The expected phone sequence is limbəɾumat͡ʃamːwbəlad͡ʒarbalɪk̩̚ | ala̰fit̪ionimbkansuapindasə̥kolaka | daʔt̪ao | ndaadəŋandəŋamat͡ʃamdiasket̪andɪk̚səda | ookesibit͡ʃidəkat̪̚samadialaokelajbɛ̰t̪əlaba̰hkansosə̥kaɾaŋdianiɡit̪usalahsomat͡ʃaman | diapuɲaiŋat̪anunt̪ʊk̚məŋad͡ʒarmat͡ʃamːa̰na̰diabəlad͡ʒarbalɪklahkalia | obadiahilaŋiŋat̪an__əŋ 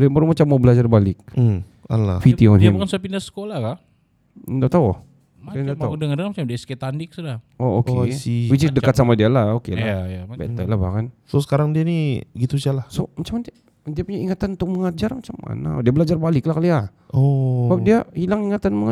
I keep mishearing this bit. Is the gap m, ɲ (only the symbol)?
m